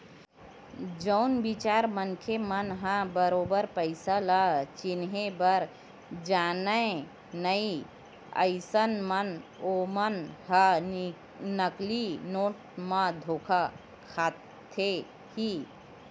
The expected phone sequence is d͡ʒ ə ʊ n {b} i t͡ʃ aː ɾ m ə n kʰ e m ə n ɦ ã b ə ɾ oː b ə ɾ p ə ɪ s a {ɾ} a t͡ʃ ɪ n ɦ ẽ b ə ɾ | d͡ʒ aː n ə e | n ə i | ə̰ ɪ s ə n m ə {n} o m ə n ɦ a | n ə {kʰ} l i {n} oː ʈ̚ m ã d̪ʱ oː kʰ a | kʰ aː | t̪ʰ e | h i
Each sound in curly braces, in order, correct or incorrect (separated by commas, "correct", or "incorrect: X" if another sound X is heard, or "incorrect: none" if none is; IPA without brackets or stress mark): correct, incorrect: l, correct, incorrect: k, correct